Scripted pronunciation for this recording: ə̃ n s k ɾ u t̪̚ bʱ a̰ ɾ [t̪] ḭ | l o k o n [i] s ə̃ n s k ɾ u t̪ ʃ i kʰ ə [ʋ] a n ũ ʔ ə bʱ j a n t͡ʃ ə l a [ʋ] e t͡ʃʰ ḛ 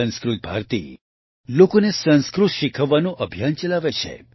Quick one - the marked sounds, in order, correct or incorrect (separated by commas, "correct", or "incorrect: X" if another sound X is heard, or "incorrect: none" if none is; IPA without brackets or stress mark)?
correct, incorrect: e, incorrect: ʋː, correct